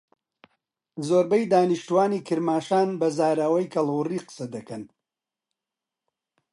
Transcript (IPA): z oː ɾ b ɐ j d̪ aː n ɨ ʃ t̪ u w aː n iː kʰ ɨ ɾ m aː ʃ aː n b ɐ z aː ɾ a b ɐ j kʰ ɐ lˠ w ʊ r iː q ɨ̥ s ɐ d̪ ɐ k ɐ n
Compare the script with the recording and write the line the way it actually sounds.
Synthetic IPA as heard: z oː ɾ b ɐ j d̪ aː n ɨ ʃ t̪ u w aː n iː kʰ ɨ ɾ m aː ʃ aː n b ɐ z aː ɾ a w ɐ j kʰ ɐ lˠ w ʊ r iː q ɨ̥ s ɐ d̪ ɐ k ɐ n